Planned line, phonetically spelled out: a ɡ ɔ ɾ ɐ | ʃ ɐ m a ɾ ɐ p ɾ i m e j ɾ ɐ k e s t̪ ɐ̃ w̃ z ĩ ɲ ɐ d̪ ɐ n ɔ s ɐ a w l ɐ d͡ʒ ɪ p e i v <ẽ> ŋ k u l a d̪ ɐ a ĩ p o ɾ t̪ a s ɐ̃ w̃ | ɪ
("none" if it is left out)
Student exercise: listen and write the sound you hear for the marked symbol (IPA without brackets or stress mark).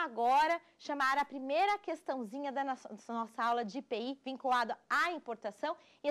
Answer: ĩ